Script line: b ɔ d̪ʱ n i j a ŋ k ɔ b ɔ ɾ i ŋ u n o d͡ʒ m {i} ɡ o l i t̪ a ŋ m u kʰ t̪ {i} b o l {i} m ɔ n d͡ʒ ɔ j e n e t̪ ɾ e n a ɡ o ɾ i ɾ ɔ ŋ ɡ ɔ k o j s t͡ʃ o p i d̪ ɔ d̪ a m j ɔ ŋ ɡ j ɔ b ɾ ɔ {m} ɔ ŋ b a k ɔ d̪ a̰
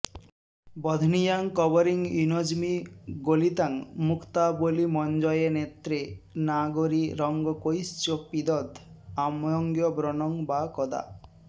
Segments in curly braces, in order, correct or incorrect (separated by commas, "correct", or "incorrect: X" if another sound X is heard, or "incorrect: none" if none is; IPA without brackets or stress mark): correct, incorrect: a, correct, incorrect: n